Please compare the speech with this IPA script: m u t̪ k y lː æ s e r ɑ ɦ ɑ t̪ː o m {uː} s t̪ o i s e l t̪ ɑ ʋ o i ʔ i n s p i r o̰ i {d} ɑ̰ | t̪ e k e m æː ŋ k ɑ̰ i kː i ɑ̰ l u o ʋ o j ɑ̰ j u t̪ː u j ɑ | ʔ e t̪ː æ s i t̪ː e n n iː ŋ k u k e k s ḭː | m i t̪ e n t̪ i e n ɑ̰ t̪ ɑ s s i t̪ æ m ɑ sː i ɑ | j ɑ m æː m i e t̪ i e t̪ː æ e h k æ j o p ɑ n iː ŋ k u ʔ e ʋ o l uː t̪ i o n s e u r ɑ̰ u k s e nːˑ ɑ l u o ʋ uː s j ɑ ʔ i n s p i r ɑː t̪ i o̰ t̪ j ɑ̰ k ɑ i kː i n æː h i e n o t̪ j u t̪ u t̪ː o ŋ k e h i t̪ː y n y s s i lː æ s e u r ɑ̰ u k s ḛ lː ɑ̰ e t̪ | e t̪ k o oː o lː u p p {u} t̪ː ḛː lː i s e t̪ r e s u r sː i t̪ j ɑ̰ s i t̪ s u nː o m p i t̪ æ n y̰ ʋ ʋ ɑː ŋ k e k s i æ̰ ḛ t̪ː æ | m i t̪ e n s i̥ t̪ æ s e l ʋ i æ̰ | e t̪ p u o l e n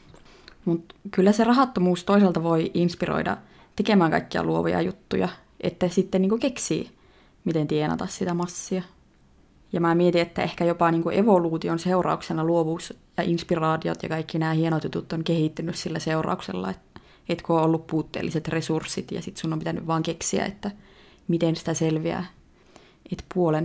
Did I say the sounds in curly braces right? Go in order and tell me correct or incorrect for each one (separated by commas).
correct, correct, incorrect